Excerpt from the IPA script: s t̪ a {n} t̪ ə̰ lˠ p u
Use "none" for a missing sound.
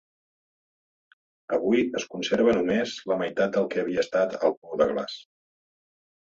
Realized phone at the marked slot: none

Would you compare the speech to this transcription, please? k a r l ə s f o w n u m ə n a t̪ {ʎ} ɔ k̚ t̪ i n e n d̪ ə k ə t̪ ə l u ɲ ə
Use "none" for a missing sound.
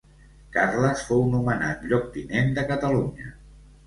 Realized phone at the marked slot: ʎ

